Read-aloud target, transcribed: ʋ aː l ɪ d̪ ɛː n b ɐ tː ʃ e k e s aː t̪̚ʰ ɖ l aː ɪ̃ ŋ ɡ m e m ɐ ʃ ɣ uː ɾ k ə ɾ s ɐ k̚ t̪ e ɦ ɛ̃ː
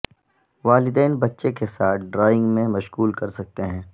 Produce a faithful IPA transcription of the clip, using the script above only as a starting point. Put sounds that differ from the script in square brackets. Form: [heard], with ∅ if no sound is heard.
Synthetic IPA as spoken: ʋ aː l ɪ d̪ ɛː n b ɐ tː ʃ e k e s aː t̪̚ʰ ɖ [ɾ] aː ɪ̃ ŋ ɡ m [ẽ] m ɐ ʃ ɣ uː [l] k [ɐ] ɾ s ɐ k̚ t̪ e ɦ ɛ̃ː